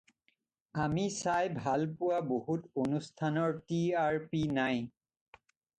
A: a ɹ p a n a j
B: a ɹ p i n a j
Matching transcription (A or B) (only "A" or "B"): B